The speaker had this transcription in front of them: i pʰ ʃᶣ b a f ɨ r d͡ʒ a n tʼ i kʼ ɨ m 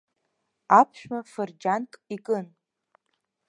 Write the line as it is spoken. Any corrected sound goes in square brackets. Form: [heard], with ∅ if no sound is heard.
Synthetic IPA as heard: [a] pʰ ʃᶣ [m] a f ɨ r d͡ʒ a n [kʼ] i kʼ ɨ [n]